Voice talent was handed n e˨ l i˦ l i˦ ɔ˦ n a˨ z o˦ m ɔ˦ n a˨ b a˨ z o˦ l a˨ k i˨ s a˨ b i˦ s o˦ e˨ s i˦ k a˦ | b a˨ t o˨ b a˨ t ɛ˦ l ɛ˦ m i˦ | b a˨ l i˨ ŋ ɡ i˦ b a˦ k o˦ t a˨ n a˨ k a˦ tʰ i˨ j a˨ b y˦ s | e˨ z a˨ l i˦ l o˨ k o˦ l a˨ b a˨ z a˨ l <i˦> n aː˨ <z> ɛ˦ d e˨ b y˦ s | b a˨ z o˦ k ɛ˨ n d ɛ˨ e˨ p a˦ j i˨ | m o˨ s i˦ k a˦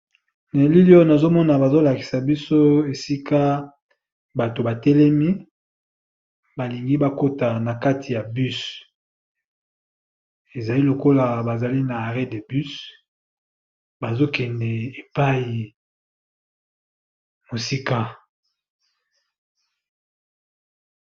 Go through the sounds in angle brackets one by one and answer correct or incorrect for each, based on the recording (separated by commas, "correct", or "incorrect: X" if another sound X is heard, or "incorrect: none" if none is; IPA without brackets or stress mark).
correct, incorrect: ʁ